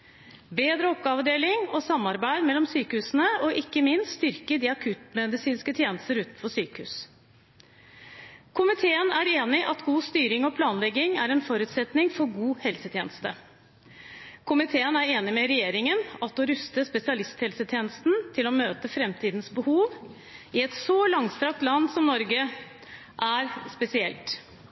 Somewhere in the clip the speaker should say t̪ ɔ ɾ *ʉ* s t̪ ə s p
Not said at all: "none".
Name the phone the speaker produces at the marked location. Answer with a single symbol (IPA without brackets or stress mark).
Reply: ʉ